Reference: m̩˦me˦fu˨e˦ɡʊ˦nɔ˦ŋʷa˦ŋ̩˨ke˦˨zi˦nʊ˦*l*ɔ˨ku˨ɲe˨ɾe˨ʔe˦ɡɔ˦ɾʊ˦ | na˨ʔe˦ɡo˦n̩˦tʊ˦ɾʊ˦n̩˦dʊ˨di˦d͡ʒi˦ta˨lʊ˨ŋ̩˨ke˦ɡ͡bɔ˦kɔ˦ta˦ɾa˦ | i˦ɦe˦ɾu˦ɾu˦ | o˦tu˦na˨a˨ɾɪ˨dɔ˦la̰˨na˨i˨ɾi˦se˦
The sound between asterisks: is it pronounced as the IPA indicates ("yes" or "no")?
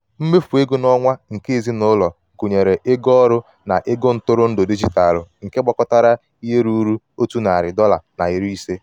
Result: yes